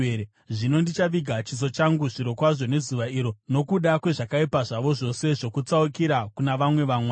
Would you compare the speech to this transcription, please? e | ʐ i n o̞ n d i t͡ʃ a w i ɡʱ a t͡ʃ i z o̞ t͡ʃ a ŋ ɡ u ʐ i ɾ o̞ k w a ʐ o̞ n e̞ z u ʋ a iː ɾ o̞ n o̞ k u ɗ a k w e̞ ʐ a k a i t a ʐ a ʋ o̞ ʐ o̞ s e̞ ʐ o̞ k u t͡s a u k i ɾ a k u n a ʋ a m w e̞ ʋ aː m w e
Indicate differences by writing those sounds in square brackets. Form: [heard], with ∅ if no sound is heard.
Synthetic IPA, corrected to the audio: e | ʐ i n o̞ n d i t͡ʃ a [ʋ] i ɡʱ a t͡ʃ i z o̞ t͡ʃ a ŋ ɡ u ʐ i ɾ o̞ k w a ʐ o̞ n e̞ z u ʋ a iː ɾ o̞ n o̞ k u ɗ a k w e̞ ʐ a k a i [p] a ʐ a ʋ o̞ ʐ o̞ s e̞ ʐ o̞ k u t͡s a u k i ɾ a k u n a ʋ a m w e̞ ʋ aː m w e